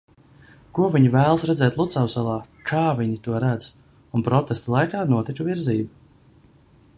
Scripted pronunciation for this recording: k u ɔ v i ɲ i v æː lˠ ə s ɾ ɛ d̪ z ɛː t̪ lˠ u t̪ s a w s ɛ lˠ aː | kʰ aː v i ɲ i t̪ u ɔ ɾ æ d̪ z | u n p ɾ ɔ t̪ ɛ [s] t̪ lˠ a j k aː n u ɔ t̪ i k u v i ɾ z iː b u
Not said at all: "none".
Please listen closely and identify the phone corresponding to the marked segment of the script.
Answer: s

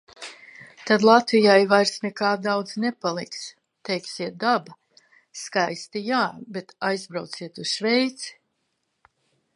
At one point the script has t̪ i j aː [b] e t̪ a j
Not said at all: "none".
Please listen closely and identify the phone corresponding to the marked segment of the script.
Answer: b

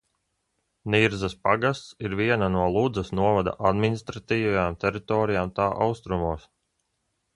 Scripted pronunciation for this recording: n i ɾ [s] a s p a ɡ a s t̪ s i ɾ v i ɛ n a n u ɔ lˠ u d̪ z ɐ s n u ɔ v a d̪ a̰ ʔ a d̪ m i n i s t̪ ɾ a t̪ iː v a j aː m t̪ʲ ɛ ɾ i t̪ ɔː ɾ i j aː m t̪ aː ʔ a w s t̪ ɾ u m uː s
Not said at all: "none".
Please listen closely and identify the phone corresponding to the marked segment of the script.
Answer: z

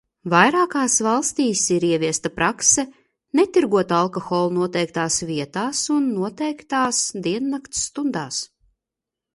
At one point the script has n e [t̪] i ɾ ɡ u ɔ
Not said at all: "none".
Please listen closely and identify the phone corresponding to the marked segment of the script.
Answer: t̪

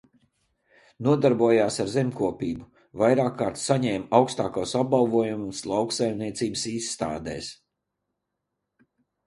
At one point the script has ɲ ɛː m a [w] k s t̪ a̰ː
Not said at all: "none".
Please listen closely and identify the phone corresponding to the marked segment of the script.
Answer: w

